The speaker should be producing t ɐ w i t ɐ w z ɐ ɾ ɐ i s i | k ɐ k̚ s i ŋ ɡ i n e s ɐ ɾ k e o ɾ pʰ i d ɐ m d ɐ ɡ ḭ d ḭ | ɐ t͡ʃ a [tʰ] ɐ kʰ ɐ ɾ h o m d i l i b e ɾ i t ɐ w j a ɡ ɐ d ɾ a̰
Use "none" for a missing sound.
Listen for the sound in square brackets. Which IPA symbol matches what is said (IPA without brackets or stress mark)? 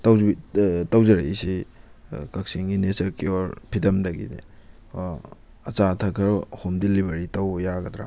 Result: tʰ